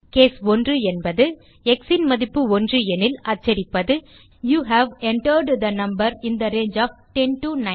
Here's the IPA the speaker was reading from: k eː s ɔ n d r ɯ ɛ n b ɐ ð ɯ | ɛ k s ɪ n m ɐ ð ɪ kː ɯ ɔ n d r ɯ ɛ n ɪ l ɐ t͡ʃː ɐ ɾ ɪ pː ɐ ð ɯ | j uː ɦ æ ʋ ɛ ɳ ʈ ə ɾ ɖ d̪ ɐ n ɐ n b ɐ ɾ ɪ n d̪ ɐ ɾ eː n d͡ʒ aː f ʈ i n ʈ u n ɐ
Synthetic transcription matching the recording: k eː s ɔ n d r ɯ ɛ n b ɐ ð ɯ | ɛ k s ɪ n m ɐ ð ɪ pː ɯ ɔ n d r ɯ ɛ n ɪ l ɐ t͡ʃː ɐ ɾ ɪ pː ɐ ð ɯ | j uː ɦ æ ʋ ɛ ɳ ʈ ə ɾ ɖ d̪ ɐ n ɐ m b ɐ ɾ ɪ n d̪ ɐ ɾ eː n d͡ʒ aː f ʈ ɛ n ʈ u n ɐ